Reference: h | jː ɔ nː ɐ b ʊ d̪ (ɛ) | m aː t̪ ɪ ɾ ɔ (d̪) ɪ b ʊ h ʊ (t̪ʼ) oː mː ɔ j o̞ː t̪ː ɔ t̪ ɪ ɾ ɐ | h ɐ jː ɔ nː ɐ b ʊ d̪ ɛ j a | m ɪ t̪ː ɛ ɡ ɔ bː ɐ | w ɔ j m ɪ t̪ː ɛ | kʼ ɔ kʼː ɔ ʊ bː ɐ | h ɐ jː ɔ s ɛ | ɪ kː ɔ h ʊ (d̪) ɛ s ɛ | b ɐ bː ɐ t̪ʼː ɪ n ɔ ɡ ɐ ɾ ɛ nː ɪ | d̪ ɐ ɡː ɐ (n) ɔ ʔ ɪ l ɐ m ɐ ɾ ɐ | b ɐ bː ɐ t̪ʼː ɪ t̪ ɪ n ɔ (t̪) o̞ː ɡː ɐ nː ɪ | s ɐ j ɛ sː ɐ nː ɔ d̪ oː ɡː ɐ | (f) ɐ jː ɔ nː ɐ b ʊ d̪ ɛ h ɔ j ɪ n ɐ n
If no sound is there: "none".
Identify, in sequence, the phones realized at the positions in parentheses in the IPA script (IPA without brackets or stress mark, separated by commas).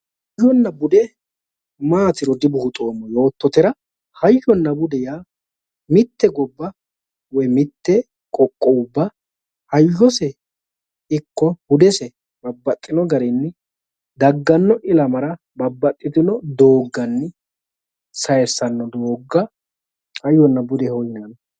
ɛ, d̪, t̪ʼ, d̪, nː, d̪, h